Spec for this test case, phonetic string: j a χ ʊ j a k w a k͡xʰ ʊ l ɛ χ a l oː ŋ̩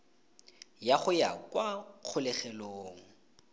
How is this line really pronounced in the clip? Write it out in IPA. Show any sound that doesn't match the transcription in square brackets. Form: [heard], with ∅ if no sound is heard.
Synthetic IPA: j a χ ʊ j a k w a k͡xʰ ʊ l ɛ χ [ɛ] l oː ŋ̩

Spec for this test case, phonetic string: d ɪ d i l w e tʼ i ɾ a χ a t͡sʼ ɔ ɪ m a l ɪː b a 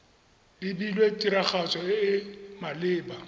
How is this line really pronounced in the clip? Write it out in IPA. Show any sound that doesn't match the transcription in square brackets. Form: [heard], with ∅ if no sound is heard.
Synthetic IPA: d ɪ [b] i l w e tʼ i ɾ a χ a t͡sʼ ɔ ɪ m a l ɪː b a

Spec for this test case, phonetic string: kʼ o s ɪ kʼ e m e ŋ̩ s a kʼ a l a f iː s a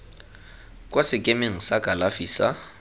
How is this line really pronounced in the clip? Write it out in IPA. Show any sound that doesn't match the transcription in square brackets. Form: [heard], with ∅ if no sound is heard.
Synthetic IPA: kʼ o s ɪ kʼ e m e ŋ̩ s a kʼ a l a f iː s a

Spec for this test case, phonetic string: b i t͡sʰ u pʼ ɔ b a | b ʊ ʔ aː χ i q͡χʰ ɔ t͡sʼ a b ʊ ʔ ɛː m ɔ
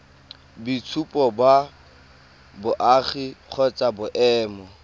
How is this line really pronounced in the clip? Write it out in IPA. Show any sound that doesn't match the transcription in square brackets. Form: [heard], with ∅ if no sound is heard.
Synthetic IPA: b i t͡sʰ u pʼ ɔ b a | b ʊ ʔ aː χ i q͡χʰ ɔ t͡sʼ a b ʊ ʔ ɛː m ɔ

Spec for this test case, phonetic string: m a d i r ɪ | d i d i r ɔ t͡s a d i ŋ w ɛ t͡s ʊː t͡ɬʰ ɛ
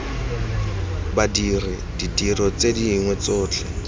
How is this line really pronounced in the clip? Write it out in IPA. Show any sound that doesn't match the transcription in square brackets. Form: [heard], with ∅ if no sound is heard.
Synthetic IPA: [b] a d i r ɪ | d i d i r ɔ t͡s [e] d i ŋ w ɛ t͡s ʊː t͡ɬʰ ɛ

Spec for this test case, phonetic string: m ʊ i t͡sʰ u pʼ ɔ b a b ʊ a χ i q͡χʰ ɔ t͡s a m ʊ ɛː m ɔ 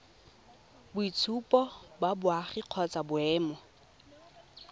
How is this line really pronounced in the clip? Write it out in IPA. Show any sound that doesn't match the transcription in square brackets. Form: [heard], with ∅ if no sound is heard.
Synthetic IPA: [b] ʊ i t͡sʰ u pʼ ɔ b a b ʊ a χ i q͡χʰ ɔ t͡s a [b] ʊ ɛː m ɔ

